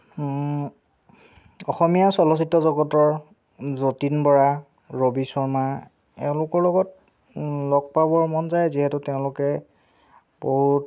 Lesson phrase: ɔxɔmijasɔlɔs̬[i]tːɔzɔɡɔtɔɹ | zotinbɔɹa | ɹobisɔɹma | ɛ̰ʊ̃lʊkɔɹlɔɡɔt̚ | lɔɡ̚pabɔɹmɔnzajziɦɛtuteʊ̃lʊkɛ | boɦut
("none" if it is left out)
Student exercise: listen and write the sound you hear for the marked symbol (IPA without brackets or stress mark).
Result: i